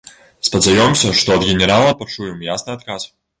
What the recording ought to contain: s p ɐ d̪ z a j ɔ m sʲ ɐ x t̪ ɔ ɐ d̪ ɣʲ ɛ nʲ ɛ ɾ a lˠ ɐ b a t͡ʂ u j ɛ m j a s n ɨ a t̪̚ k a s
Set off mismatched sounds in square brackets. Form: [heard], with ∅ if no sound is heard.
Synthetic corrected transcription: s p ɐ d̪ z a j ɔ m sʲ ɐ [ʂ] t̪ ɔ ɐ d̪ ɣʲ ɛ nʲ ɛ ɾ a lˠ ɐ [p] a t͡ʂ u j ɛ m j a s n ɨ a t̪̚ k a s